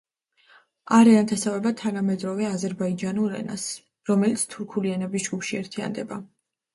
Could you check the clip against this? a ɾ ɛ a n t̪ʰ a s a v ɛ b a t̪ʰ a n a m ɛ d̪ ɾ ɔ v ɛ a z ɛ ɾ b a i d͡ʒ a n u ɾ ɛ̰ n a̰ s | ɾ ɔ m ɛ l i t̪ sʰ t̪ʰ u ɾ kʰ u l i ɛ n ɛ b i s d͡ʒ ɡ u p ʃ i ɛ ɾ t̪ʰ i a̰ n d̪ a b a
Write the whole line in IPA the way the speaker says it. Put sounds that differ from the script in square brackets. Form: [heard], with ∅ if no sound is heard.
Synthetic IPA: a ɾ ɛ a n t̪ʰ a s a v ɛ b a t̪ʰ a n a m ɛ d̪ ɾ ɔ v ɛ a z ɛ ɾ b a i d͡ʒ a n u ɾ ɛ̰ n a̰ s | ɾ ɔ m ɛ l i t̪ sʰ t̪ʰ u ɾ kʰ u l i ɛ n ɛ b i s d͡ʒ ɡ u p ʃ i ɛ ɾ t̪ʰ i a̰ n d̪ [ɛ] b a